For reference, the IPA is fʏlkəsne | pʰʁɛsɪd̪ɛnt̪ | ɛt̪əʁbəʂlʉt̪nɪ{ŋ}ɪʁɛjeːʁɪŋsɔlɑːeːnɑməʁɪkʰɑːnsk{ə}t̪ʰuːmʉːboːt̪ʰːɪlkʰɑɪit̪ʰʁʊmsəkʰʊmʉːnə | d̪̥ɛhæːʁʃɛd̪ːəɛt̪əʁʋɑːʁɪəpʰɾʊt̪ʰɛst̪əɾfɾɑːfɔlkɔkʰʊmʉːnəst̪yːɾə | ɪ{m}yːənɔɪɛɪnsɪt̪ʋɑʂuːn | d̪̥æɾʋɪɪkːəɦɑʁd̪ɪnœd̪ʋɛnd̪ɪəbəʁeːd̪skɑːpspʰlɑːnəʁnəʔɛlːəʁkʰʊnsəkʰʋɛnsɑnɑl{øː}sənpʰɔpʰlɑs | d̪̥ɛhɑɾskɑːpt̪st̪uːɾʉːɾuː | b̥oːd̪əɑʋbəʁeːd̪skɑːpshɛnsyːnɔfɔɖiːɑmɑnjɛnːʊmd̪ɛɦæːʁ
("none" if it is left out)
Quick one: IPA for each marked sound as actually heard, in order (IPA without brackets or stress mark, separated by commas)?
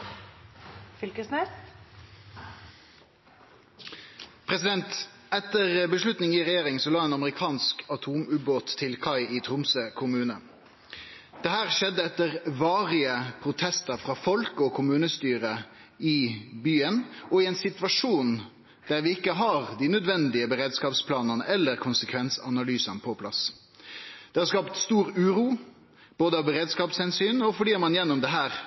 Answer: ŋ, ɑ, b, yː